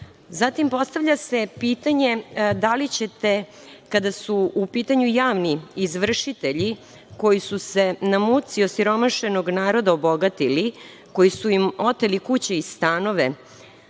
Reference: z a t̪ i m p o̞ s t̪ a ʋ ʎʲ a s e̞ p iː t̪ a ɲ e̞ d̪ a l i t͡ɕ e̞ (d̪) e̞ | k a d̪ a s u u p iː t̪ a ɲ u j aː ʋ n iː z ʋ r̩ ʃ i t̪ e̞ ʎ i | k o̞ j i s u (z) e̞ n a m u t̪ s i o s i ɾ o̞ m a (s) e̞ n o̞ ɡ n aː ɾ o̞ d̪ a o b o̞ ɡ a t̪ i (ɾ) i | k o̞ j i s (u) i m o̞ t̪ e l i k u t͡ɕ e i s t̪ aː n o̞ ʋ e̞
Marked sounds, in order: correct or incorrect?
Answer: incorrect: t̪, incorrect: s, incorrect: ʃ, incorrect: l, correct

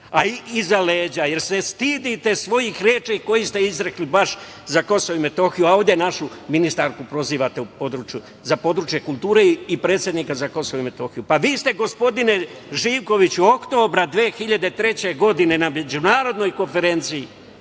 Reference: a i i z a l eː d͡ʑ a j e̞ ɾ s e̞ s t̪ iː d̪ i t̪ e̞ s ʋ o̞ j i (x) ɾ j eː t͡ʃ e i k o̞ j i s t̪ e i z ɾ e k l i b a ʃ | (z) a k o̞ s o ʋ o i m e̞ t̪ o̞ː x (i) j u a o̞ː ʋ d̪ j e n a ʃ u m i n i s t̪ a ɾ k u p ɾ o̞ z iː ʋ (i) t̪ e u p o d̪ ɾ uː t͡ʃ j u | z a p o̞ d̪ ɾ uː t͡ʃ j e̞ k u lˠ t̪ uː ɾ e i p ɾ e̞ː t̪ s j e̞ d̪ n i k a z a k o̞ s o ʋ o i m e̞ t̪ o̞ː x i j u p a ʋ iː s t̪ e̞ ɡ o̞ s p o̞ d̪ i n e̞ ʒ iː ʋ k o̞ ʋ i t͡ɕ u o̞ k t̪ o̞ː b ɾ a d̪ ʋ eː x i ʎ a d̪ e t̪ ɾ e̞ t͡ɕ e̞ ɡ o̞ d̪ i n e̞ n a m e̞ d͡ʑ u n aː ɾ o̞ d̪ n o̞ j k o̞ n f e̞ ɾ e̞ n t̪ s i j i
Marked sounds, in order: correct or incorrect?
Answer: correct, correct, correct, incorrect: a

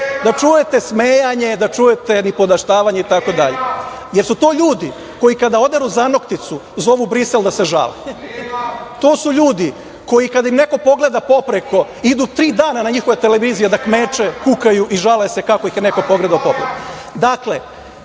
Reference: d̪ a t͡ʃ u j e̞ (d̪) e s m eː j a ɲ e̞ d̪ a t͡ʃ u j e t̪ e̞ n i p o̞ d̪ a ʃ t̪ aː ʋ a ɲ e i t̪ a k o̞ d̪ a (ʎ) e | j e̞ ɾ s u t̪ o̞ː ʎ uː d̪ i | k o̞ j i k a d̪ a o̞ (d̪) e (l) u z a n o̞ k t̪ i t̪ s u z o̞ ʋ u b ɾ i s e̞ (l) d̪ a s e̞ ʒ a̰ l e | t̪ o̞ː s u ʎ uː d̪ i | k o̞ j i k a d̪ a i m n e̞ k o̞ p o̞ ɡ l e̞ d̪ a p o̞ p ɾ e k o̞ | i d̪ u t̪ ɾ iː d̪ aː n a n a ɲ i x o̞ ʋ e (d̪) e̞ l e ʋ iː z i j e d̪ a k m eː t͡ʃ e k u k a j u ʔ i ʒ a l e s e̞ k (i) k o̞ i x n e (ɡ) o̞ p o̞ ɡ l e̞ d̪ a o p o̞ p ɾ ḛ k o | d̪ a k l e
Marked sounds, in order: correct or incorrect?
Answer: incorrect: t̪, correct, correct, incorrect: ɾ, correct, incorrect: t̪, incorrect: a, incorrect: k

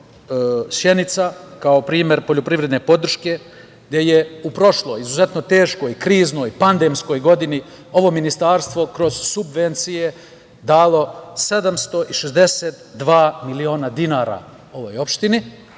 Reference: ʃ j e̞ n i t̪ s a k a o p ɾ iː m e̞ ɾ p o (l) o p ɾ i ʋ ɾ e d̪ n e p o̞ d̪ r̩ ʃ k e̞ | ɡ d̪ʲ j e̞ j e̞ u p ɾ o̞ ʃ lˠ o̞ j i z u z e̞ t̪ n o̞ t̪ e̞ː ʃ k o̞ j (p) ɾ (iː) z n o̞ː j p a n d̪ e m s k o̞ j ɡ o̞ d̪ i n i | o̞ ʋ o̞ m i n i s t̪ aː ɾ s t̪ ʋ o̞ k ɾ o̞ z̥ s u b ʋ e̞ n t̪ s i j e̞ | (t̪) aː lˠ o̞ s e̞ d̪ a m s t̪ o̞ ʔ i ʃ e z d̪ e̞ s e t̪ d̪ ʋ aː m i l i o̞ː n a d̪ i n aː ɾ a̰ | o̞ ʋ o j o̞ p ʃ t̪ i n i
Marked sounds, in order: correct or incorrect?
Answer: incorrect: ʎ, incorrect: k, correct, incorrect: d̪

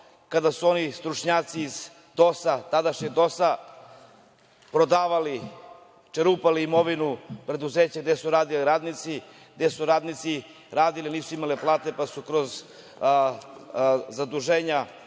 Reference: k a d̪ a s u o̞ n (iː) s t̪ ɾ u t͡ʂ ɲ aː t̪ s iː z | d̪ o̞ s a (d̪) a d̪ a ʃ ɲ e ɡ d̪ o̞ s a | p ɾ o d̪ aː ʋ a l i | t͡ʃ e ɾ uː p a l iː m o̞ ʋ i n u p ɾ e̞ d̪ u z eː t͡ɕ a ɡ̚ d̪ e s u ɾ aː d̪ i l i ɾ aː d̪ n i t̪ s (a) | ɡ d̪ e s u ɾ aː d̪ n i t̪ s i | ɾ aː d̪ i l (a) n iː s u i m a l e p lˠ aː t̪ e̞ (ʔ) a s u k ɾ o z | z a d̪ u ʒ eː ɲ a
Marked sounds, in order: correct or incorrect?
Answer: incorrect: i, incorrect: t̪, incorrect: i, incorrect: i, incorrect: p

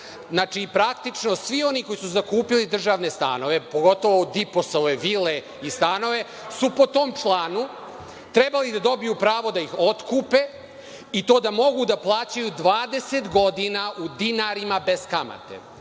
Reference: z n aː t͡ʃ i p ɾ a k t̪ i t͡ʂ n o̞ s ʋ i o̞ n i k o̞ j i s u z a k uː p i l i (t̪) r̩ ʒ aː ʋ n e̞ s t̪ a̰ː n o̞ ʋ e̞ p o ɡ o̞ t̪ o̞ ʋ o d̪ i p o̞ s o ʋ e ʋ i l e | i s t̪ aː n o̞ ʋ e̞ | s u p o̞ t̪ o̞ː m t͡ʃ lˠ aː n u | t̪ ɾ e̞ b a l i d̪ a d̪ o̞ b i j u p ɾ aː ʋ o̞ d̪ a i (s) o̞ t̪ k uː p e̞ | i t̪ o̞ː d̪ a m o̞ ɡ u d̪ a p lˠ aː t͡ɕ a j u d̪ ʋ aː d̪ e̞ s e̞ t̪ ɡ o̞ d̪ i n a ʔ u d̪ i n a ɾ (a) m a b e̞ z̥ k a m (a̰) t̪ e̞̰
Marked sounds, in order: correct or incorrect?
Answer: incorrect: d̪, incorrect: x, incorrect: i, correct

